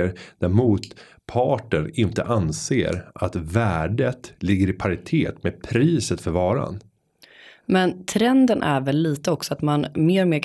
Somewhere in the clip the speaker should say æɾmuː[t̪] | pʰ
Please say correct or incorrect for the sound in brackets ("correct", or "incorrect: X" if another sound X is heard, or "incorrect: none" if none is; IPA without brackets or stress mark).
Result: correct